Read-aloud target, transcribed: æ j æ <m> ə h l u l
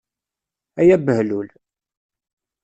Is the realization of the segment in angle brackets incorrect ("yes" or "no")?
yes